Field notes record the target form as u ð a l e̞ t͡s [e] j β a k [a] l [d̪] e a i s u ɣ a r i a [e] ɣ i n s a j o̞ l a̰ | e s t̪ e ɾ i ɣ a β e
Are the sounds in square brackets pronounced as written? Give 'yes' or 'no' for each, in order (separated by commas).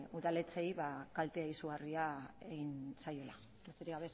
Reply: yes, yes, no, yes